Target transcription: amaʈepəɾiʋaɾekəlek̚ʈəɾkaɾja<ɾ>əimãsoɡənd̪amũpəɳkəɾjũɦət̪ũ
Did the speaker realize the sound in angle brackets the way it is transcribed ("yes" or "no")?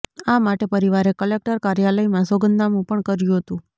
no